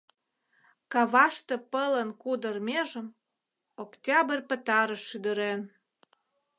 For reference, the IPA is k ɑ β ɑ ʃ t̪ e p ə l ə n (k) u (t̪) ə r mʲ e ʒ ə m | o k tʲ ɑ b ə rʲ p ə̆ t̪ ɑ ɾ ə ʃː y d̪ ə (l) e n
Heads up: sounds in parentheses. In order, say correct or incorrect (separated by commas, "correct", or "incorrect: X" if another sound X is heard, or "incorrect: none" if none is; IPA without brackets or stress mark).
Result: correct, incorrect: d̪, incorrect: ɾ